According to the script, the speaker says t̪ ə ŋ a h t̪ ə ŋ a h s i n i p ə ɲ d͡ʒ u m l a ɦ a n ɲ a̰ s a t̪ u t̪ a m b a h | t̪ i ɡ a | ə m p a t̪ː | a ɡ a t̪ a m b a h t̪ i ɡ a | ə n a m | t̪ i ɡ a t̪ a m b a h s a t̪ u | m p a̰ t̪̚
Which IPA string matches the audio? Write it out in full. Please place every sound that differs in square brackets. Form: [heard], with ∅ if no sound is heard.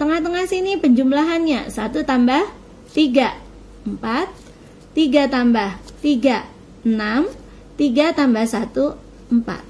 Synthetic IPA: t̪ ə ŋ a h t̪ ə ŋ a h s i n i p ə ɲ d͡ʒ u m l a ɦ a n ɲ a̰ s a t̪ u t̪ a m b a h | t̪ i ɡ a | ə m p a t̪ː | [i] ɡ a t̪ a m b a h t̪ i ɡ a | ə n a m | t̪ i ɡ a t̪ a m b a h s a t̪ u | m p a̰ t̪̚